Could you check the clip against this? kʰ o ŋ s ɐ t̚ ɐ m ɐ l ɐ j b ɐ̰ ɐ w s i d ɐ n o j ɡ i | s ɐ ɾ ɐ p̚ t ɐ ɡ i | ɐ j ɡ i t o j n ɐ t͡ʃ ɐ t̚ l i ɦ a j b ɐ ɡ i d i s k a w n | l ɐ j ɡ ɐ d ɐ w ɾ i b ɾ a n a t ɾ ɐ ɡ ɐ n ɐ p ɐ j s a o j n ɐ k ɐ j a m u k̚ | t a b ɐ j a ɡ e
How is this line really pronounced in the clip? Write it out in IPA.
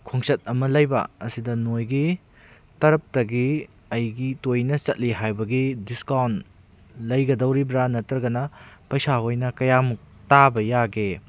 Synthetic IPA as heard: kʰ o ŋ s ɐ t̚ ɐ m ɐ l ɐ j b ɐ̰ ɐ s i d ɐ n o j ɡ i | t ɐ ɾ ɐ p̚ t ɐ ɡ i | ɐ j ɡ i t o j n ɐ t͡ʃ ɐ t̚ l i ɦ a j b ɐ ɡ i d i s k a w n | l ɐ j ɡ ɐ d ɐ w ɾ i b ɾ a n ɐ t ɾ ɐ ɡ ɐ n ɐ p ɐ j s a o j n ɐ k ɐ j a m u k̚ | t a b ɐ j a ɡ e